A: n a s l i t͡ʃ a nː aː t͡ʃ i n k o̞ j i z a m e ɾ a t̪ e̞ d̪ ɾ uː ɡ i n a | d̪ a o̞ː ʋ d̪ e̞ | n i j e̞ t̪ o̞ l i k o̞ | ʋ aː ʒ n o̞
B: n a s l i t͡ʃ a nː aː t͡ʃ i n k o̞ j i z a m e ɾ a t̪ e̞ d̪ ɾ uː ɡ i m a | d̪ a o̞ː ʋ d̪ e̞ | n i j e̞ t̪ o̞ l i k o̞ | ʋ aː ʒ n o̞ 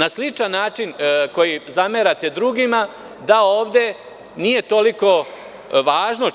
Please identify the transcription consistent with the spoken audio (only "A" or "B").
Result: B